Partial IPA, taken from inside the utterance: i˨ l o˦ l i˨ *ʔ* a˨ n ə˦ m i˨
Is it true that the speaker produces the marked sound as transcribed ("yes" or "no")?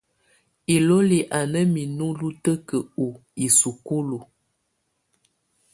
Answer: yes